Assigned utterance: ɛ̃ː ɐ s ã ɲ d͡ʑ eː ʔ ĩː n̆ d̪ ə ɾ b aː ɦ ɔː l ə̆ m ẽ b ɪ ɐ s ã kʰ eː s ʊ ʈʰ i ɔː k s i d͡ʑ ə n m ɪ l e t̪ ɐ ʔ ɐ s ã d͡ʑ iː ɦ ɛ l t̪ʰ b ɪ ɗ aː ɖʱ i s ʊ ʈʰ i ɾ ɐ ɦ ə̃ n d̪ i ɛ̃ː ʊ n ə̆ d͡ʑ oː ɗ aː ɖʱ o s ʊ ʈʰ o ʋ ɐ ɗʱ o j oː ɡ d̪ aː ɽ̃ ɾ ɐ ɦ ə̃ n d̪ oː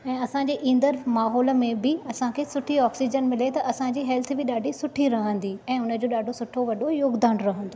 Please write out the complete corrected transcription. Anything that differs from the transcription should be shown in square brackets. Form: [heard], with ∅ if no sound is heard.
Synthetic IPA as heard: ɛ̃ː ɐ s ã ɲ d͡ʑ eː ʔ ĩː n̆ d̪ ə ɾ [m] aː ɦ ɔː l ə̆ m ẽ b ɪ ɐ s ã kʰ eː s ʊ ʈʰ i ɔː k s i d͡ʑ ə n m ɪ l e t̪ ɐ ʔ ɐ s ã d͡ʑ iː ɦ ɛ l t̪ʰ b ɪ ɗ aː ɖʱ i s ʊ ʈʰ i ɾ ɐ ɦ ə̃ n d̪ i ɛ̃ː ʊ n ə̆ d͡ʑ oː ɗ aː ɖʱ o s ʊ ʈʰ o ʋ ɐ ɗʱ o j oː ɡ d̪ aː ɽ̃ ɾ ɐ ɦ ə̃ n d̪ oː